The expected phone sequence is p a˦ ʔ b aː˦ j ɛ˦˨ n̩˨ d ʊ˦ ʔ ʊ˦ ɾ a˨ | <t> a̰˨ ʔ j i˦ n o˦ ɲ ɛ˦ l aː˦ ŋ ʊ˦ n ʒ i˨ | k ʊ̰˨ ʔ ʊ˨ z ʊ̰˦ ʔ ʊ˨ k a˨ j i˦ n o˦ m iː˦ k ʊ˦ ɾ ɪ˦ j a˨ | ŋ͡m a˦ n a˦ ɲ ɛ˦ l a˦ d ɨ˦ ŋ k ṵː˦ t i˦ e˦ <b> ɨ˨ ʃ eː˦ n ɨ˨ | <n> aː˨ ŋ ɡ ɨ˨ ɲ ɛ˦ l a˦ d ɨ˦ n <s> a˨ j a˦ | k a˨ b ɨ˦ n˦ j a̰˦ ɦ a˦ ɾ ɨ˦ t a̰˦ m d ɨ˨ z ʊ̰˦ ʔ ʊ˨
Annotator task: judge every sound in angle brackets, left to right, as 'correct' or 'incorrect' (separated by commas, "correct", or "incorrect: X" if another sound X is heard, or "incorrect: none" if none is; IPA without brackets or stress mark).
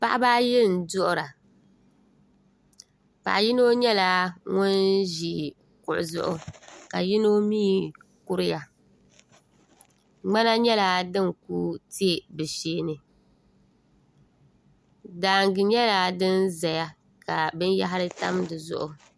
incorrect: p, correct, incorrect: d, incorrect: z